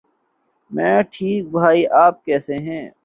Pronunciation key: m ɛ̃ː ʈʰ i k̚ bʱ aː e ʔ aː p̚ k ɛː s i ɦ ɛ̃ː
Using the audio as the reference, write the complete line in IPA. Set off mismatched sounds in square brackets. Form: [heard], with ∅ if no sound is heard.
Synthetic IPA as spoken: m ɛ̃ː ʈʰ [iː] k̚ bʱ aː [i] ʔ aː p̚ k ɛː s [e] ɦ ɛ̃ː